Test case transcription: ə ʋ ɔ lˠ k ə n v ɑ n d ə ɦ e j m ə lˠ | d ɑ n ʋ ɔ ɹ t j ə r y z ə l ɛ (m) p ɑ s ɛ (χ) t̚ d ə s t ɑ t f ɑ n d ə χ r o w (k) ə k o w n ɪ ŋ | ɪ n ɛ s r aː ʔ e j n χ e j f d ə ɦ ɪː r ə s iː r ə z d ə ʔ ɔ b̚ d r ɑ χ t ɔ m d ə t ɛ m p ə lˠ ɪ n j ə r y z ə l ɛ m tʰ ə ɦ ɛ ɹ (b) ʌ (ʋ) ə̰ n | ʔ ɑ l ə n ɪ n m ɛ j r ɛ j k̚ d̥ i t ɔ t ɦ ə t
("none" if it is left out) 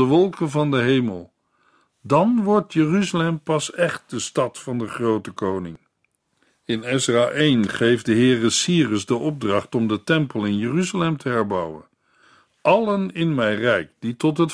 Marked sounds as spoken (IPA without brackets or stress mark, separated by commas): m, χ, t, b, w